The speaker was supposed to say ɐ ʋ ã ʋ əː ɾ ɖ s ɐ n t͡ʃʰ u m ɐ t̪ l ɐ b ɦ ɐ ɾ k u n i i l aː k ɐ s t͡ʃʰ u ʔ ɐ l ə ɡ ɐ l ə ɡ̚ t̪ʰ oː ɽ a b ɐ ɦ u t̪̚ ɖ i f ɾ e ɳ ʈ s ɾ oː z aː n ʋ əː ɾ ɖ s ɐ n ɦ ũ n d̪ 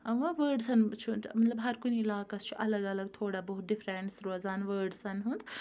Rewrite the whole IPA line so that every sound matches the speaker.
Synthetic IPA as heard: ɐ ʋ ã ʋ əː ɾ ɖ s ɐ n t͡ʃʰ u m ɐ t̪ l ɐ b ɦ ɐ ɾ k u n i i l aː k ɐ s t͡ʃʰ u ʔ ɐ l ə ɡ ɐ l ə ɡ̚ t̪ʰ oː ɽ a b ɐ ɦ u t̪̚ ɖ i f ɾ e ɳ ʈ s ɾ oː z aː n ʋ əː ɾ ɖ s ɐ n ɦ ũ n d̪